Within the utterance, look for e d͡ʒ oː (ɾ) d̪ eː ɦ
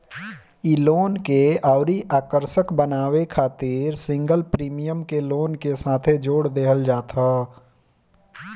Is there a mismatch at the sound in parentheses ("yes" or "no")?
yes